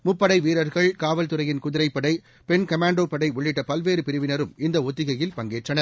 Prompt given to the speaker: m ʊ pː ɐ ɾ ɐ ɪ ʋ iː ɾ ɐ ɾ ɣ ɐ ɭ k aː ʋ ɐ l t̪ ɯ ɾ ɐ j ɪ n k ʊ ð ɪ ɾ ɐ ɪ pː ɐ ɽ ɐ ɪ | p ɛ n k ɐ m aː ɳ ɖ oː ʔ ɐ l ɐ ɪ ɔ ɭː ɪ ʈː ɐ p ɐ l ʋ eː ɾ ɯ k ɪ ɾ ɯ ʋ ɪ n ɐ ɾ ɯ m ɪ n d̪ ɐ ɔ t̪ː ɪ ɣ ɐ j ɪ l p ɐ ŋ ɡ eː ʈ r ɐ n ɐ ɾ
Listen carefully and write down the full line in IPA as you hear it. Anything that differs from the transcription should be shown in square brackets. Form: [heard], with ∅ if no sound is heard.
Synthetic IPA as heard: m ʊ pː ɐ [ɽ] ɐ ɪ ʋ iː ɾ ɐ ɾ ɣ ɐ ɭ k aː ʋ ɐ l t̪ ɯ ɾ ɐ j ɪ n k ʊ ð ɪ ɾ ɐ ɪ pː ɐ ɽ ɐ ɪ | p ɛ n k ɐ m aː ɳ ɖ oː [p] ɐ [ɽ] ɐ ɪ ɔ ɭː ɪ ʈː ɐ p ɐ l ʋ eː ɾ ɯ [p] ɪ ɾ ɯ ʋ ɪ n ɐ ɾ ɯ m ɪ n d̪ ɐ ɔ t̪ː ɪ ɣ ɐ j ɪ l p ɐ ŋ ɡ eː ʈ r ɐ n ɐ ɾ